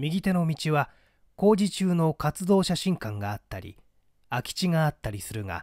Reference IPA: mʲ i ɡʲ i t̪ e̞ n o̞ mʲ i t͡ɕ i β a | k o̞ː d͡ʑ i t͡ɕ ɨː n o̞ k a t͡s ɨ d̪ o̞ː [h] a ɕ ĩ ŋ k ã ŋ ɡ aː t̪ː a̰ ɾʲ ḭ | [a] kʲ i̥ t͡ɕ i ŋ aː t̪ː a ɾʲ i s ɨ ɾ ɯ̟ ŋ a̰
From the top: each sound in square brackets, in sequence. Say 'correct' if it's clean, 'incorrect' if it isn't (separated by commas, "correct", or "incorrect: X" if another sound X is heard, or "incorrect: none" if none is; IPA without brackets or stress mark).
incorrect: ɕ, correct